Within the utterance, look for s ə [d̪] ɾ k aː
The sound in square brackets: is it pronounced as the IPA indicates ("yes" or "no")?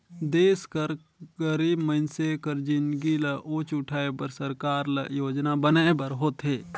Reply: no